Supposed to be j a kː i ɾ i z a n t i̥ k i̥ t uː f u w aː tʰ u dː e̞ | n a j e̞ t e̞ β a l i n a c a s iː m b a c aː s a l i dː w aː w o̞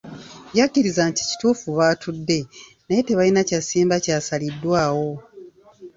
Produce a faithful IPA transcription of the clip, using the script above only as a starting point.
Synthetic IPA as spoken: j a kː i ɾ i z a n t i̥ c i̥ t uː f u β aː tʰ u dː e̞ | n a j e̞ t e̞ β a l i n a c a s iː m b a c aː s a l i dː w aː w o̞

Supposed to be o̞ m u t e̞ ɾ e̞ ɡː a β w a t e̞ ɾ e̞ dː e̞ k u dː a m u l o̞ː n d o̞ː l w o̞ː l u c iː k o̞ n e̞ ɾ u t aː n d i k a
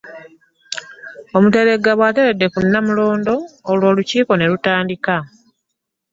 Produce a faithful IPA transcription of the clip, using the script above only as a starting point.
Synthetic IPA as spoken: o̞ m u t e̞ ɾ e̞ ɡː a β w a t e̞ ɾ e̞ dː e̞ k u nː a m u l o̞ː n d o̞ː l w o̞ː l u c iː k o̞ n e̞ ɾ u t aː n d i k a

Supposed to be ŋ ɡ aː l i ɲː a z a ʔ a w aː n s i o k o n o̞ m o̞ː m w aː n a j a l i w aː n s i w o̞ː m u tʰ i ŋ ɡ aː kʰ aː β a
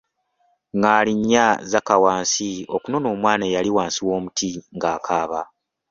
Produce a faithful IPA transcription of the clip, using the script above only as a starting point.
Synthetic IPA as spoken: ŋ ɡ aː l i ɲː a z a k a w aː n s i o k u n o̞ n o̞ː m w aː n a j a l i w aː n s i w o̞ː m u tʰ i ŋ ɡ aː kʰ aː β a

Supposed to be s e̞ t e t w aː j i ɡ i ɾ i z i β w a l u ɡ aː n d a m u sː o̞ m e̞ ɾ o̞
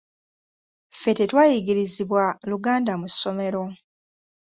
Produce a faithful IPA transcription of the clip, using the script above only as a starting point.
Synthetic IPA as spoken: f e̞ t e t w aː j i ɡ i ɾ i z i β w a l u ɡ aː n d a m u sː o̞ m e̞ ɾ o̞

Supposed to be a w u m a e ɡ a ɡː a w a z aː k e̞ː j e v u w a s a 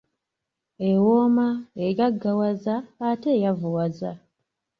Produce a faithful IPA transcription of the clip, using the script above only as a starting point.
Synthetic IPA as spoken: e w o m a e ɡ a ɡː a w a z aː t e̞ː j a v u w a z a

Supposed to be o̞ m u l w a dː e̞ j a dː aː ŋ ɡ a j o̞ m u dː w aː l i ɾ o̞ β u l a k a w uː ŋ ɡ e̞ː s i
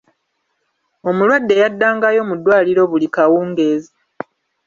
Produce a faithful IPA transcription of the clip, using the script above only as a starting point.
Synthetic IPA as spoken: o̞ m u l w a dː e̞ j a dː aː ŋ ɡ a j o̞ m u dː w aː l i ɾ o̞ β u l i k a w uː ŋ ɡ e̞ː z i

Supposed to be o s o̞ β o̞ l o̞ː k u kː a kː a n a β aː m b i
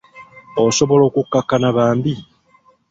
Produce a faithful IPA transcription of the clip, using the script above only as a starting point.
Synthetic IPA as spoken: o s o̞ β o̞ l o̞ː k u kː a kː a n a β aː m b i

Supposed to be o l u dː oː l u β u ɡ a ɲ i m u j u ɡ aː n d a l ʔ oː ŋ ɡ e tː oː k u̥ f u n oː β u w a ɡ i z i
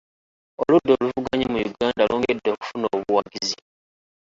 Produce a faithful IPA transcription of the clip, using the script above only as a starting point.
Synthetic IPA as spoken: o l u dː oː l u v u ɡ a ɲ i m u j u ɡ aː n d a l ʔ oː ŋ ɡ e dː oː k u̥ f u n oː β u w a ɡ i z i

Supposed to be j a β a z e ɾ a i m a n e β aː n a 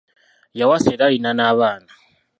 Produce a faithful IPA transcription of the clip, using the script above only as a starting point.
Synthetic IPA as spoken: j a w a s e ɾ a i n a n a β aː n a

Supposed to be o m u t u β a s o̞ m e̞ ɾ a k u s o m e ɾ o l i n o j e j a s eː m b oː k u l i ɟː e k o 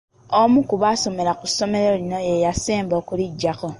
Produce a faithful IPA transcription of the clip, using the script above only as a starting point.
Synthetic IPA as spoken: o m u k u β a s o̞ m e̞ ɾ a k u s o m e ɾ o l i n o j e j a s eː m b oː k u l i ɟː a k o

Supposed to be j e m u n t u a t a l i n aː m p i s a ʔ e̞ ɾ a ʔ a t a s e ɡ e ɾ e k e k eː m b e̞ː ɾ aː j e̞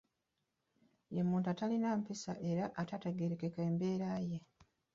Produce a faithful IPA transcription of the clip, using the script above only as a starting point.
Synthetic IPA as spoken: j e m uː n t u a t a l i n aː m p i s a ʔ e̞ ɾ a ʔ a t a t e ɡ e ɾ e k e k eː m b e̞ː ɾ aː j e̞

